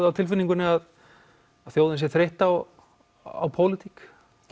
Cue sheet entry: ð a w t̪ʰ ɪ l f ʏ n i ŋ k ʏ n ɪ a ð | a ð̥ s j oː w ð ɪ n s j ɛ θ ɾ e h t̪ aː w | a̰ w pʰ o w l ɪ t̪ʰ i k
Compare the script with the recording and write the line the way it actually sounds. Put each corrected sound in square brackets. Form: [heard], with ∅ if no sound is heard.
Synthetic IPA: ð a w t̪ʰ ɪ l f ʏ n i ŋ k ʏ n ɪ a ð | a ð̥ [θ] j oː w ð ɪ n s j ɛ θ ɾ e h t̪ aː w | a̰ w pʰ o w l ɪ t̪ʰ i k